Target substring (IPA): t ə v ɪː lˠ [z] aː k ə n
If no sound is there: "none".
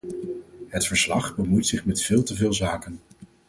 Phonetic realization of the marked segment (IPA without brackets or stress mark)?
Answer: z